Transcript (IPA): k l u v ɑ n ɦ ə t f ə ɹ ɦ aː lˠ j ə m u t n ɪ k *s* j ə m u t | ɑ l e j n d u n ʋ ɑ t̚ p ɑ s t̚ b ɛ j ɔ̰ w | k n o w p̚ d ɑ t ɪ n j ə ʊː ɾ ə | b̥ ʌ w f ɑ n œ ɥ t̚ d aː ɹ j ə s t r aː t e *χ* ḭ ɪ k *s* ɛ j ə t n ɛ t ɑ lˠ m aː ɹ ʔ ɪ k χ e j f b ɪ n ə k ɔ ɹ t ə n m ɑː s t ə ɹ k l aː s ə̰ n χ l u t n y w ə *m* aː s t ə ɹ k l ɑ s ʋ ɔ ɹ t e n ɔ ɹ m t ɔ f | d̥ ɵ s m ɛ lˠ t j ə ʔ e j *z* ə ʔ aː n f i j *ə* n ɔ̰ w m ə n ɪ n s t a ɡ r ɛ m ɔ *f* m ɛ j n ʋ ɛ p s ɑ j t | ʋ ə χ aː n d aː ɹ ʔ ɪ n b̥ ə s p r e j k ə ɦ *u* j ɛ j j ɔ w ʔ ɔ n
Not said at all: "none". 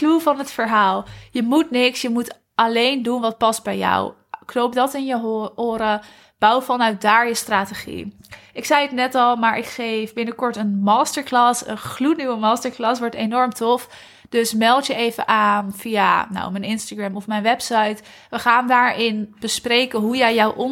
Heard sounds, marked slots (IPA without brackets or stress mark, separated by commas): s, χ, s, m, v, a, f, u